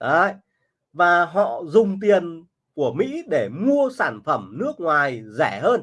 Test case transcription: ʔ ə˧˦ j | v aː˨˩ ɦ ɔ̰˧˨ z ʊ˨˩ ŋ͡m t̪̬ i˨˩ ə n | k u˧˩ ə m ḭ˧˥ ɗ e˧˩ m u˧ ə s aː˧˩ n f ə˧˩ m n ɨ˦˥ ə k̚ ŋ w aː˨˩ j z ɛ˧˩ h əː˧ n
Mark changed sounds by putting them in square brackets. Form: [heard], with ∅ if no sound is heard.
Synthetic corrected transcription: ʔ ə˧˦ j | v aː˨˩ ɦ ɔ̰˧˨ z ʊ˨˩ ŋ͡m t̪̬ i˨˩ ə n | k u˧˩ ə m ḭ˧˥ ɗ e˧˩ m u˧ ə s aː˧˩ n f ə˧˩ m n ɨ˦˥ ə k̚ ŋ w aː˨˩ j z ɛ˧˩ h əː˧ n